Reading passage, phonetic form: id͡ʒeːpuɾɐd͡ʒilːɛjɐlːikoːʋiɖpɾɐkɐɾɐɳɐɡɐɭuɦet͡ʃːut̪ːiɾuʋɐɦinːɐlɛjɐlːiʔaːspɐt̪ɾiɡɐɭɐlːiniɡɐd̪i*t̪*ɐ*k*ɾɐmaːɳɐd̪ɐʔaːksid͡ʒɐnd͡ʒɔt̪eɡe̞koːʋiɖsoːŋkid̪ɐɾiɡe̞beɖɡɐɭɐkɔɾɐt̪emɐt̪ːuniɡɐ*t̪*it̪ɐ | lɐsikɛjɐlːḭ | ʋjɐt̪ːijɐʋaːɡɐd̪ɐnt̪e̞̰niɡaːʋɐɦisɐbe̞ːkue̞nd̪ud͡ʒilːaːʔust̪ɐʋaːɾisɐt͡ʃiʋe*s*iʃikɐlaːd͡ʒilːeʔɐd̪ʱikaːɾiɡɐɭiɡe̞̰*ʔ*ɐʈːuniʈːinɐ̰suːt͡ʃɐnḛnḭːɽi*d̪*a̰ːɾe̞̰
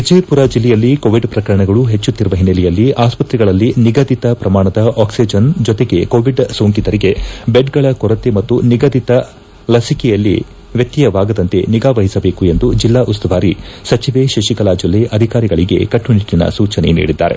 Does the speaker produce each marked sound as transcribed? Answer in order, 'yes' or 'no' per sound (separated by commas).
yes, no, no, no, no, no